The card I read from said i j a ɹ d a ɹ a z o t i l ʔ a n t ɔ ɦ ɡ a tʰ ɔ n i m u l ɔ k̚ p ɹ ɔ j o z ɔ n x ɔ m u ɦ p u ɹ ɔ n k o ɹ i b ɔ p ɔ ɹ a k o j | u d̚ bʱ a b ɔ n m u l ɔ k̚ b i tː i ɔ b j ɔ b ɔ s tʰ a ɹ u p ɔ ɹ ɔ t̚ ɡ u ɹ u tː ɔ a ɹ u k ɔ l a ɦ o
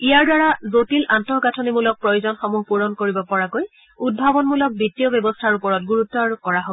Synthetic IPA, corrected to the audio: i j a ɹ d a ɹ a z o t i l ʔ a n t ɔ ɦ ɡ a tʰ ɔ n i m u l ɔ k̚ p ɹ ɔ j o z ɔ n x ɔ m u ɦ p u ɹ ɔ n k o ɹ i b ɔ p ɔ ɹ a k o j | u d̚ bʱ a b ɔ n m u l ɔ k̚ b i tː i ɔ b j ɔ b ɔ s tʰ a ɹ u p ɔ ɹ ɔ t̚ ɡ u ɹ u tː ɔ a ɹ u k ɔ ɹ a ɦ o

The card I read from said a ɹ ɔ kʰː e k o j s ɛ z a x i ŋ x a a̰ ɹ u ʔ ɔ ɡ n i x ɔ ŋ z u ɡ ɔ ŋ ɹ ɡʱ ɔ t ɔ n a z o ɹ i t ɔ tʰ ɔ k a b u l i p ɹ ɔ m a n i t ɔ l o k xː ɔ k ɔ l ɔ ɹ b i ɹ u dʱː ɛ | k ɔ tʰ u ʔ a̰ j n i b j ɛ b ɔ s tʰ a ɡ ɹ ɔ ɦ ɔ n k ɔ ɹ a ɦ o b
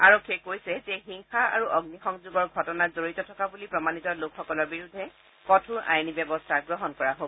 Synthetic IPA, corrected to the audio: a ɹ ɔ kʰː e k o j s ɛ z ɛ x i ŋ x a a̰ ɹ u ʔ ɔ ɡ n i x ɔ ŋ z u ɡ ɔ ɹ ɡʱ ɔ t ɔ n a z o ɹ i t ɔ tʰ ɔ k a b u l i p ɹ ɔ m a n i t ɔ l o k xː ɔ k ɔ l ɔ ɹ b i ɹ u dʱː ɛ | k ɔ tʰ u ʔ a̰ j n i b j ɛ b ɔ s tʰ a ɡ ɹ ɔ ɦ ɔ n k ɔ ɹ a ɦ o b

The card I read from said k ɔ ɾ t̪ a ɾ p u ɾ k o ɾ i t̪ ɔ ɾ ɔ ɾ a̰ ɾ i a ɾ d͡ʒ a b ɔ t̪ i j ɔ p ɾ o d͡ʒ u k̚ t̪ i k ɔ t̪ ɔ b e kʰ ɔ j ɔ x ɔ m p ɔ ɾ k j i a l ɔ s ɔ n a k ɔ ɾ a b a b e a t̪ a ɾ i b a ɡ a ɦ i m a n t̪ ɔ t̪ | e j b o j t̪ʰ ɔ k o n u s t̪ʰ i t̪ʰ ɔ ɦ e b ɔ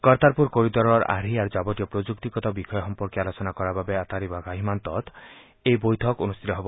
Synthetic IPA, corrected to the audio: k ɔ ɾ t̪ a ɾ p u ɾ k o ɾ i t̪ ɔ ɾ ɔ ɾ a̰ ɾ i a ɾ d͡ʒ a b ɔ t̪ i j ɔ p ɾ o d͡ʒ u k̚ t̪ i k ɔ t̪ ɔ b i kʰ ɔ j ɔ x ɔ m p ɔ ɾ k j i a l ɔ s ɔ n a k ɔ ɾ a b a b e a t̪ a ɾ i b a ɡ a ɦ i m a n t̪ ɔ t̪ | e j b o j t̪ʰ ɔ k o n u s t̪ʰ i t̪ ɔ ɦ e b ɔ

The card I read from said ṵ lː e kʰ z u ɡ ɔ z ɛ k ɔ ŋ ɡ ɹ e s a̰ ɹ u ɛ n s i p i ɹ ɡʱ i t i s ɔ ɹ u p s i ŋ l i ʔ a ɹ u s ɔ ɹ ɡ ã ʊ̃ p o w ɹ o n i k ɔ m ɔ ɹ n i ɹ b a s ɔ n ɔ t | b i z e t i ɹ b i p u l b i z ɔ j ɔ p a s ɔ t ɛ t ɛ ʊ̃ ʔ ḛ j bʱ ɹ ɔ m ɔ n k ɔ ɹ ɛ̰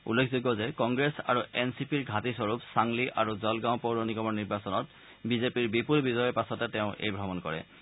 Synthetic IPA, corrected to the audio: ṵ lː e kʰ z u ɡ ɔ z ɛ k ɔ ŋ ɡ ɹ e s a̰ ɹ u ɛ n s i p i ɹ ɡʱ a t i s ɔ ɹ u p s a ŋ l i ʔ a ɹ u z ɔ l ɡ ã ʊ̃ p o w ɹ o n i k ɔ m ɔ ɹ n i ɹ b a s ɔ n ɔ t | b i z e p i ɹ b i p u l b i z ɔ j ɔ p a s ɔ t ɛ t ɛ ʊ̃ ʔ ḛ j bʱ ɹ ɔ m ɔ n k ɔ ɹ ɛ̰

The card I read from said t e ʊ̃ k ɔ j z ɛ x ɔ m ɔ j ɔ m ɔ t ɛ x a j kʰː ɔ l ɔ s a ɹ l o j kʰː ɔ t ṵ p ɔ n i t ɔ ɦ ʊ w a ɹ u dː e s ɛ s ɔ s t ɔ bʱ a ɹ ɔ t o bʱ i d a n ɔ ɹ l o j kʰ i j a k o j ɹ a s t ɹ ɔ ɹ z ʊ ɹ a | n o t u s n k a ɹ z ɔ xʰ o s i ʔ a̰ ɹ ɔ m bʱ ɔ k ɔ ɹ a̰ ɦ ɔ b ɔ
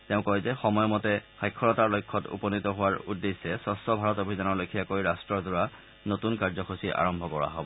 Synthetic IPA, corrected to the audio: t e ʊ̃ k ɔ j z ɛ x ɔ m ɔ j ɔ m ɔ t ɛ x a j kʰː ɔ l ɔ t a ɹ l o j kʰː ɔ t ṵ p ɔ n i t ɔ ɦ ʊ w a ɹ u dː e s ɛ s ɔ s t ɔ bʱ a ɹ ɔ t o bʱ i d a n ɔ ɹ l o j kʰ i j a k o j ɹ a s t ɹ ɔ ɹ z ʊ ɹ a | n o t u n k a ɹ z ɔ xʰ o s i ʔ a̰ ɹ ɔ m bʱ ɔ k ɔ ɹ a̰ ɦ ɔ b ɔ

